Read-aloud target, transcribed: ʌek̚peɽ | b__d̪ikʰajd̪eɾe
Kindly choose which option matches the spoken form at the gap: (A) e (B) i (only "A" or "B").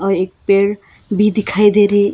B